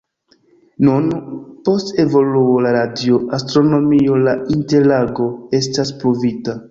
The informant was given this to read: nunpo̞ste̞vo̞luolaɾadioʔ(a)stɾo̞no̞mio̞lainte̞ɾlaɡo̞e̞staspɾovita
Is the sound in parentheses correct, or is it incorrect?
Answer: correct